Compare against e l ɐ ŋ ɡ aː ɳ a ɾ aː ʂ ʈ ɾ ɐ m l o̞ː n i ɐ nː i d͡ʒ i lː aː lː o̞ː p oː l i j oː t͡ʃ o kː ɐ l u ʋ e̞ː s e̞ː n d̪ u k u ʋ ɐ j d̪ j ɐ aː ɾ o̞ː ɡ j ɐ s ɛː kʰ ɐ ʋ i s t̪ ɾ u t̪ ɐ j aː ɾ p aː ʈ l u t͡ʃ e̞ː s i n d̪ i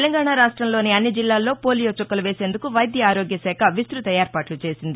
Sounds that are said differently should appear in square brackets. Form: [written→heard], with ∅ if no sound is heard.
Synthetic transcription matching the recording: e l ɐ ŋ ɡ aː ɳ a ɾ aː ʂ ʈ ɾ ɐ m l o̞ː n i ɐ nː i d͡ʒ i lː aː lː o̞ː p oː l i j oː t͡ʃ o kː ɐ l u ʋ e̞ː s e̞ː n d̪ u k u ʋ ɐ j d̪ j ɐ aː ɾ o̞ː ɡ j ɐ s ɛː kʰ ɐ ʋ i s t̪ ɾ u t̪ ɐ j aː ɾ p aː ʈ l u t͡ʃ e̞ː s i n d̪ i